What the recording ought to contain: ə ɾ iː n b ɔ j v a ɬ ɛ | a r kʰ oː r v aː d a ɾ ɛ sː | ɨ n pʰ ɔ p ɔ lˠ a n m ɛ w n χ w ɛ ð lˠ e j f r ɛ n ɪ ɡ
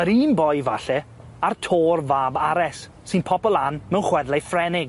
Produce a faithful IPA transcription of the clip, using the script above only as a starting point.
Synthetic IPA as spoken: ə ɾ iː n b ɔ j v a ɬ ɛ | a r tʰ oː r v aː b a ɾ ɛ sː | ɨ n pʰ ɔ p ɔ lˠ a n m ɛ w n χ w ɛ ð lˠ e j f r ɛ n ɪ ɡ